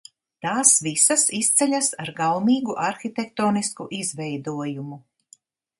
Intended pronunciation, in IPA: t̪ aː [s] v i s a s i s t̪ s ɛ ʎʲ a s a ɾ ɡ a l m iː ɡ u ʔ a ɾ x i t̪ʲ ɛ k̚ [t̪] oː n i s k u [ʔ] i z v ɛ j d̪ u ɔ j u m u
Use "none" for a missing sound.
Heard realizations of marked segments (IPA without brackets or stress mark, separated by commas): s, t̪, ʔ